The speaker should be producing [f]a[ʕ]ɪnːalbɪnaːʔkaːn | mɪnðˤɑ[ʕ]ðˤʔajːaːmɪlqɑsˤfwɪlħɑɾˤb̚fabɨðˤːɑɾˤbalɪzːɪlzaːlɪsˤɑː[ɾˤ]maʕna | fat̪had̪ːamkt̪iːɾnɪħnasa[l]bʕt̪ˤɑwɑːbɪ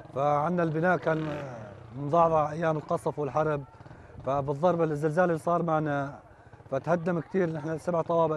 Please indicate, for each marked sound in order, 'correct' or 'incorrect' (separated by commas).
correct, correct, correct, correct, incorrect